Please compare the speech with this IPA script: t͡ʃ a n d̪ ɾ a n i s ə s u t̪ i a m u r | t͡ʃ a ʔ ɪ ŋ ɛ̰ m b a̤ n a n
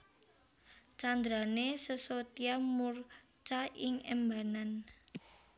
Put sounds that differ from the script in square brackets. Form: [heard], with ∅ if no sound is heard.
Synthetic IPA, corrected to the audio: t͡ʃ a n d̪ ɾ a n [e] s ə s [o] t̪ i a m u r | t͡ʃ a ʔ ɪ ŋ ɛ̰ m b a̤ n a n